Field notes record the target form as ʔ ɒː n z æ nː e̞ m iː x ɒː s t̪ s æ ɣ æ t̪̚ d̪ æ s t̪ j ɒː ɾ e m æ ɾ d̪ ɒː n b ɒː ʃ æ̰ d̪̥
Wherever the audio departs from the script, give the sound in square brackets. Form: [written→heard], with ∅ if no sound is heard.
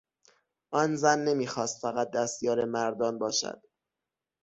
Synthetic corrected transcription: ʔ ɒː n z æ nː e̞ m iː x ɒː s t̪ [s→f] æ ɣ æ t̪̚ d̪ æ s t̪ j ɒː ɾ e m æ ɾ d̪ ɒː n b ɒː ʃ æ̰ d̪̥